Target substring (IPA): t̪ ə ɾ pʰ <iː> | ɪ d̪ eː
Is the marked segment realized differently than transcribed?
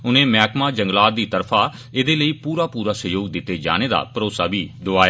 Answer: yes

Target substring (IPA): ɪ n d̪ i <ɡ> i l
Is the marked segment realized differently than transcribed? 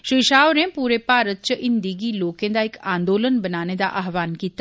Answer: no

